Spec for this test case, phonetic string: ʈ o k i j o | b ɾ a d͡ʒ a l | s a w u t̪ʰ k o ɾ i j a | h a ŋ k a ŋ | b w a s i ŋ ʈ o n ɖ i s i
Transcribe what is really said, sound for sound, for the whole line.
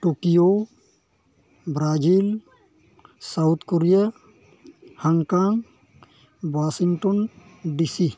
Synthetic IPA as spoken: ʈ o k i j o | b ɾ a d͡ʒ i l | s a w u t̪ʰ k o ɾ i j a | h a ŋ k a ŋ | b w a s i ŋ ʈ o n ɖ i s i